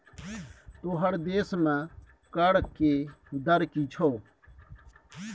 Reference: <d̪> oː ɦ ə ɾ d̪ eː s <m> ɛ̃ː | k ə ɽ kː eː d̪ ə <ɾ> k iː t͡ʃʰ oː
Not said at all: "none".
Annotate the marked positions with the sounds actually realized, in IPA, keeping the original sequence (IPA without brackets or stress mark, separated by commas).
t̪, m, ɾ